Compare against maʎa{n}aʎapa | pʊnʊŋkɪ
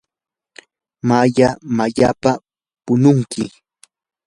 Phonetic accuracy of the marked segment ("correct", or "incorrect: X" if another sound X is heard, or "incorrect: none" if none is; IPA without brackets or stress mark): incorrect: m